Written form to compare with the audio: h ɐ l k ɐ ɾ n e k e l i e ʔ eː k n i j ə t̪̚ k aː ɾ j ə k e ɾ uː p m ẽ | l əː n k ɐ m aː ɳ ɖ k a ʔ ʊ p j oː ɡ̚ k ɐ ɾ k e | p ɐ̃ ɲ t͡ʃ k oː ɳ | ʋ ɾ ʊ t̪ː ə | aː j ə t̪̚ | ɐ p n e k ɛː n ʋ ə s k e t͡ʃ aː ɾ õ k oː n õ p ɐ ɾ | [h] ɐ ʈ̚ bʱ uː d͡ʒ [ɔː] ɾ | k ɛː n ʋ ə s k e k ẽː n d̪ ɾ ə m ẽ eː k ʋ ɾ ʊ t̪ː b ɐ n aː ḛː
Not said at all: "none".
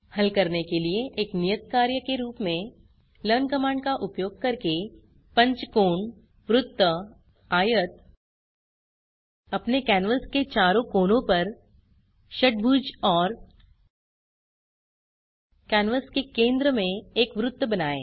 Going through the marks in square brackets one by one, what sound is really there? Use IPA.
ʃ, ɔː

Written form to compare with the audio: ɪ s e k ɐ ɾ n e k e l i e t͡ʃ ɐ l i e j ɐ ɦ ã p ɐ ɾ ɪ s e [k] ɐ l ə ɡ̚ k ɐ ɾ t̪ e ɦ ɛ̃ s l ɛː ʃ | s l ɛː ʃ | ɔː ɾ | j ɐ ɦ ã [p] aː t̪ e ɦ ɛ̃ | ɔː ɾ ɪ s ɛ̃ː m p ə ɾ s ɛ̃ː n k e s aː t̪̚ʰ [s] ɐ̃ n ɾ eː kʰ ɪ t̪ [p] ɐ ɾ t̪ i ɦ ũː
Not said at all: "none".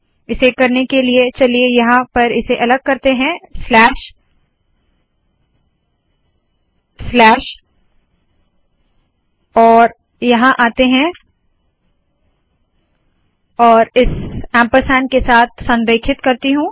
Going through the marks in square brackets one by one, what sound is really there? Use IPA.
ʔ, ʔ, s, k

